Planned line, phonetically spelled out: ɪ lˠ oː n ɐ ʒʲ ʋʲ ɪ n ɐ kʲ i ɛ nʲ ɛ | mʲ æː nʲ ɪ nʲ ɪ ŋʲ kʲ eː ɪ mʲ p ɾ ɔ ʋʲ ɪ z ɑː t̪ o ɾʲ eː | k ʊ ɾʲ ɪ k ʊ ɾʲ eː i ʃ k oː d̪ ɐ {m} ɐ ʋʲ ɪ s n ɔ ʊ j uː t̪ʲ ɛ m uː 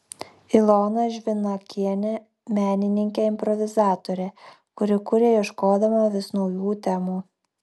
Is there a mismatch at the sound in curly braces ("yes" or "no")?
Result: no